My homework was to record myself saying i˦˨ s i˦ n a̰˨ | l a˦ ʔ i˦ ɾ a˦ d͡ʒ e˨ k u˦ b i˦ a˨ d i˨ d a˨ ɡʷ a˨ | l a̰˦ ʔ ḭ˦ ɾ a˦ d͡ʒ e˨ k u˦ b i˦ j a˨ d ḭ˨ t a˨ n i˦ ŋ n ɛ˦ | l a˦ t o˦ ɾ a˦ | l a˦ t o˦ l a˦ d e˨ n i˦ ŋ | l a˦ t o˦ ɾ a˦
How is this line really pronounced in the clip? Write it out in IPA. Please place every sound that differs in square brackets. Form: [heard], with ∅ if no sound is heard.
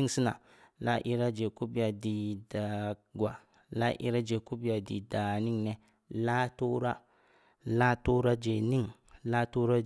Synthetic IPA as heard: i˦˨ s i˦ n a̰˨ | l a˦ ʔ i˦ ɾ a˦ d͡ʒ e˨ k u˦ b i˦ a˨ d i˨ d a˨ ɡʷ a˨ | l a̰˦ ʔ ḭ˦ ɾ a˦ d͡ʒ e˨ k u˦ b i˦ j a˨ d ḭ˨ [d] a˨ n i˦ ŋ n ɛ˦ | l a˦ t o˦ ɾ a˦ | l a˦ t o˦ [ɾ] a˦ [d͡ʒ] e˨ n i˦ ŋ | l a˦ t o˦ ɾ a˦

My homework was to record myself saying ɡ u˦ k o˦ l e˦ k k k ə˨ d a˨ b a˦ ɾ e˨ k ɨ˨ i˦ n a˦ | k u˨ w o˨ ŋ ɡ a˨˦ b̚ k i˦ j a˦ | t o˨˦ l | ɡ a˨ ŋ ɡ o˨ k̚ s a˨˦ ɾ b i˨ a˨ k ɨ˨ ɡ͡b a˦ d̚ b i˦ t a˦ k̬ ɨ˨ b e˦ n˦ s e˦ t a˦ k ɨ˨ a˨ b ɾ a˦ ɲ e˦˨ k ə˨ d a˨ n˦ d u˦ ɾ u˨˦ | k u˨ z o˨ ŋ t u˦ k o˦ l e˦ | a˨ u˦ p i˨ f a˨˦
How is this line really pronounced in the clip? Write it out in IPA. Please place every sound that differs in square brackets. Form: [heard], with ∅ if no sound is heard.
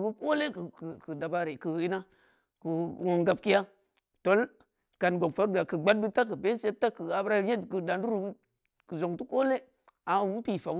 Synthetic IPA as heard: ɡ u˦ k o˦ l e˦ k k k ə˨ d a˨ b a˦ ɾ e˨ k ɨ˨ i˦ n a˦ | k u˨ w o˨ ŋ ɡ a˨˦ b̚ k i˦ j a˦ | t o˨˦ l | [k] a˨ [n] ɡ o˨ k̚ [f] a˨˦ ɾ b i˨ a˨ k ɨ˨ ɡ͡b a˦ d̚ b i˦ t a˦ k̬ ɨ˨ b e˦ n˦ s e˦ t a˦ k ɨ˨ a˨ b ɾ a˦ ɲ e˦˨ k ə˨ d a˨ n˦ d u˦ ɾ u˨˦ | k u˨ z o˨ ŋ t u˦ k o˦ l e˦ | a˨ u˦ p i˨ f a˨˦

